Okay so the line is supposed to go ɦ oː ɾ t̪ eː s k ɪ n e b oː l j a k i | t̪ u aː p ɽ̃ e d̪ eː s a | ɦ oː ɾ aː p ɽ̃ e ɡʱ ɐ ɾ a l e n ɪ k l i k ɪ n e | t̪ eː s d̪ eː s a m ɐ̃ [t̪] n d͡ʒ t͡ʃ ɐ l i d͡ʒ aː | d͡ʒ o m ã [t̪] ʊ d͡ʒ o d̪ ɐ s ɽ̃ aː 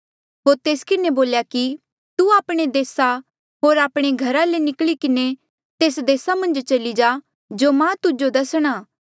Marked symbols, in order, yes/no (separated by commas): no, yes